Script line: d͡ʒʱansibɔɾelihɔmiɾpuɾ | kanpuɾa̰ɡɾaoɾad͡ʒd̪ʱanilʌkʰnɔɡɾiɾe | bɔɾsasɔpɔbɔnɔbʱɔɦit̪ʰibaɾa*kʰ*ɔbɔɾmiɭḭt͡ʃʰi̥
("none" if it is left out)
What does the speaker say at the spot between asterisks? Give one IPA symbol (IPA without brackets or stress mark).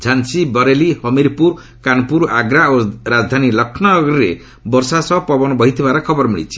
kʰ